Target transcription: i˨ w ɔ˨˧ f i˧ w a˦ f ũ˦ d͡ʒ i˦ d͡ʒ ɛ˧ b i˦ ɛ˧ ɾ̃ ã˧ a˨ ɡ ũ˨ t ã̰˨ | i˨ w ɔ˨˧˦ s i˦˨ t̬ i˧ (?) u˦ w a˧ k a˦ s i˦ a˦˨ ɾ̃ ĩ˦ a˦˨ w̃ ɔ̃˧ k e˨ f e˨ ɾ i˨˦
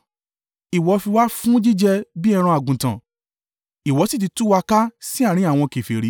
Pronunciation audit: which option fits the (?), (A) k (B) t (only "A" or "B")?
B